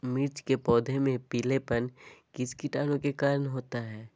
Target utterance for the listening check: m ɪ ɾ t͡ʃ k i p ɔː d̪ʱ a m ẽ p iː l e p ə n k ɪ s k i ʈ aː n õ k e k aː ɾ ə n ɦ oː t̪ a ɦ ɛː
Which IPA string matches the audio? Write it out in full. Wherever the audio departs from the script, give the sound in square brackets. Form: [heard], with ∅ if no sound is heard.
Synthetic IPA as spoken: m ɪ ɾ t͡ʃ k [e] p ɔː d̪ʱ [e] m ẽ p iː l e p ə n k ɪ s k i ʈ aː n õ k e k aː ɾ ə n ɦ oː t̪ a ɦ ɛː